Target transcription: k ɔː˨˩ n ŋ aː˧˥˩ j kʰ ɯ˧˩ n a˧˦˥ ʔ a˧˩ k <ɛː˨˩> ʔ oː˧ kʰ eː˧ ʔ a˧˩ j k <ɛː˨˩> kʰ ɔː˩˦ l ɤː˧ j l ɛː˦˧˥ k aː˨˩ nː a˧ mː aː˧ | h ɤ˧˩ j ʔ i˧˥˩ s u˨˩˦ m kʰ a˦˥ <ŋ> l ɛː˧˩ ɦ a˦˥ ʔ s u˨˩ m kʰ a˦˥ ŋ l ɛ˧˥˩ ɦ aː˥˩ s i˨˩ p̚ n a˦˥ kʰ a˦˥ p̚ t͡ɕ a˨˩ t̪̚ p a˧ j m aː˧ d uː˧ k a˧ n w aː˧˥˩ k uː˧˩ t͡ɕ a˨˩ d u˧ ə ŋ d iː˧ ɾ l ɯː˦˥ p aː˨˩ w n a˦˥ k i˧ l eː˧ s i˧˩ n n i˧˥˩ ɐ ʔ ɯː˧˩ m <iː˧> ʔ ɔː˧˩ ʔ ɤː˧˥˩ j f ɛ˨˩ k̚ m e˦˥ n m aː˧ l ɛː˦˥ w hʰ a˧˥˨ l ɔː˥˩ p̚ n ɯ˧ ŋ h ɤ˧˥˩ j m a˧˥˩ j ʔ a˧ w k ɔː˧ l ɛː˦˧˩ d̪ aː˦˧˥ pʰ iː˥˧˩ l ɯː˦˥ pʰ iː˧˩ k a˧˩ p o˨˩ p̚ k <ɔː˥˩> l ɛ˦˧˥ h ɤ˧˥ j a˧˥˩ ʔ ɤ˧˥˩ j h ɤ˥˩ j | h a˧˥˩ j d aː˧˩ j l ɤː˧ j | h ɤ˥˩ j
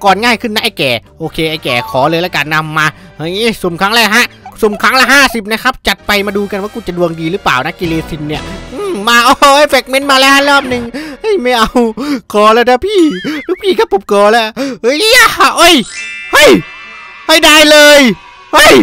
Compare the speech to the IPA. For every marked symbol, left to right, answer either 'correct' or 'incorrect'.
correct, correct, correct, incorrect: aː˧, incorrect: ɔː˧

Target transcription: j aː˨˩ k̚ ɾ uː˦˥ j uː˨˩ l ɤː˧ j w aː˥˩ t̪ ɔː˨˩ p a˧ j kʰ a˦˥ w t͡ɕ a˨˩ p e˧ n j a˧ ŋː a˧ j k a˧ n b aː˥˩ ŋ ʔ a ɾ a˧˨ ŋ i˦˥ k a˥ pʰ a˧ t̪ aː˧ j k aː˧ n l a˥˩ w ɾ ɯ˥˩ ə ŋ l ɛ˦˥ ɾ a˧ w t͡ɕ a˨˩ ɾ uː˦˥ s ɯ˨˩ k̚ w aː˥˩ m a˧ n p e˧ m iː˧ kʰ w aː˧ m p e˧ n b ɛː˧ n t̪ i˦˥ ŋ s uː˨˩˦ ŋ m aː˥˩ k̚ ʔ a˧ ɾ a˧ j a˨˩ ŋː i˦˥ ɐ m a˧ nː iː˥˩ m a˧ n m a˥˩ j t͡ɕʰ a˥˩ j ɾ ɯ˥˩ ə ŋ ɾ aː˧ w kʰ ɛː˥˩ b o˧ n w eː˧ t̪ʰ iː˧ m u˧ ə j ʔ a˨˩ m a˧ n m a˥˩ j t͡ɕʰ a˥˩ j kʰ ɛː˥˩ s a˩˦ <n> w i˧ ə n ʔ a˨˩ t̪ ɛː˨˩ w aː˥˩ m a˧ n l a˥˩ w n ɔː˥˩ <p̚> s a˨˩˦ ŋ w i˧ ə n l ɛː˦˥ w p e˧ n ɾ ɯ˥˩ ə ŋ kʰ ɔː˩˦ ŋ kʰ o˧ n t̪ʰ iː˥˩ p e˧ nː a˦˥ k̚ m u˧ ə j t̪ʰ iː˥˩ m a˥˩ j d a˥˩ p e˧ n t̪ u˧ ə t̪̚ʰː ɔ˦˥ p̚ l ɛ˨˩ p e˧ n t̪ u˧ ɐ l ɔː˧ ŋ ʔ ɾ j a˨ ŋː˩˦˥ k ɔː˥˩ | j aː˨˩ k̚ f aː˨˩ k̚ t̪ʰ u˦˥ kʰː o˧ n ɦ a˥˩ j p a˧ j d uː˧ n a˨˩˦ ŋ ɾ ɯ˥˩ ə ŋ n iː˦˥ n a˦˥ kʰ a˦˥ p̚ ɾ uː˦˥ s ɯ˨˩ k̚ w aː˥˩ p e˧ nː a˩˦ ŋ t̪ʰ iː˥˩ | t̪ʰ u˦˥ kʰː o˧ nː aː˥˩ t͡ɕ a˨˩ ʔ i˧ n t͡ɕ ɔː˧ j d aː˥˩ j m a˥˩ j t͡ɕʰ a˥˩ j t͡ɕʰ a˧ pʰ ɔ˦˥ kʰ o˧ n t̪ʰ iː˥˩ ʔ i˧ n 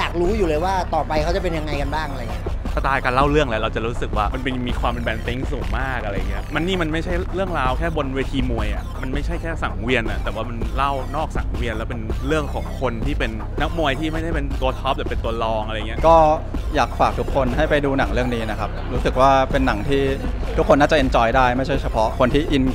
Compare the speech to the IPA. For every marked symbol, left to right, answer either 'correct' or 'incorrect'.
incorrect: ŋ, incorrect: k̚

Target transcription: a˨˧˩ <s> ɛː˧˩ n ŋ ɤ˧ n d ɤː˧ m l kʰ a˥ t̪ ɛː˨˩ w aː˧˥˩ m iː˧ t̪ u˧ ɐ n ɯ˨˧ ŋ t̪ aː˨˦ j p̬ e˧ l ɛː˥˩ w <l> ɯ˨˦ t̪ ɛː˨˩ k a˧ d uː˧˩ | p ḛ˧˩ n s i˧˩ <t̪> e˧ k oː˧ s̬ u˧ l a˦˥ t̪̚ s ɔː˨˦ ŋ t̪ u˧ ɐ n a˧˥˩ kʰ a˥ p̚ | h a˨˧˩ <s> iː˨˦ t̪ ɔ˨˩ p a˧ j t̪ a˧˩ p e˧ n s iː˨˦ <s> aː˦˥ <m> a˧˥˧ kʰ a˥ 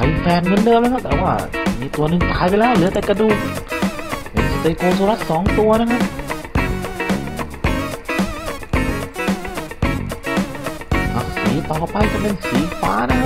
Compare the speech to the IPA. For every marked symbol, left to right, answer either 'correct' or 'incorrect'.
incorrect: f, correct, correct, correct, incorrect: f, incorrect: n

